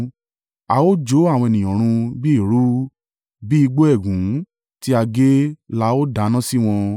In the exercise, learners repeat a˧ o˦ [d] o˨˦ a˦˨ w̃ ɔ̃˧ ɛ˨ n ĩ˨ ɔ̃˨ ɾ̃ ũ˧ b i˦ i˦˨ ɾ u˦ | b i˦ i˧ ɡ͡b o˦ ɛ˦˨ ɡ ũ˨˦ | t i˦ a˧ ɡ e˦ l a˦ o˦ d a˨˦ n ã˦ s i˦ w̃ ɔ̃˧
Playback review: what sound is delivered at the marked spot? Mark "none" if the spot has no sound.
d͡ʒ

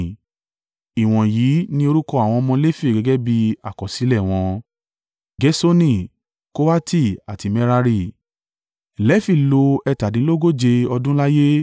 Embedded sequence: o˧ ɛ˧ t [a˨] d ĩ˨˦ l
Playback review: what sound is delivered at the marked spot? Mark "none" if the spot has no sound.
a˨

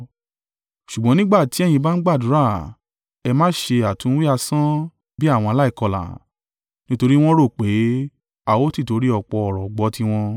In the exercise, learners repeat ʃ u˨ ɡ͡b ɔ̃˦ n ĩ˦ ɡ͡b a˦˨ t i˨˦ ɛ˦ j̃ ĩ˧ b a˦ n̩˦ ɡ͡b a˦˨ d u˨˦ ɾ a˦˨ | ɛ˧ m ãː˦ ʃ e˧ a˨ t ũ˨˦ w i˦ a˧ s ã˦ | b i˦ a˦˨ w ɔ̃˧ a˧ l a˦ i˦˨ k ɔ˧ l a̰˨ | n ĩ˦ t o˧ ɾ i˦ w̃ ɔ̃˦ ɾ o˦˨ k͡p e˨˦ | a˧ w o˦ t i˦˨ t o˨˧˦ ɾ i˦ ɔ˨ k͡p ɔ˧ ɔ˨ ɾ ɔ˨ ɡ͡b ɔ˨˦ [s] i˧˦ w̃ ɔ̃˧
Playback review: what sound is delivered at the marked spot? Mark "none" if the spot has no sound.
t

